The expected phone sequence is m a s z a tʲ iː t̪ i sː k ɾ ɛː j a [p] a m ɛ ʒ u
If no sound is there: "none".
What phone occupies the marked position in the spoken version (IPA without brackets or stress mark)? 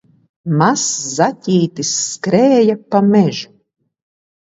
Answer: p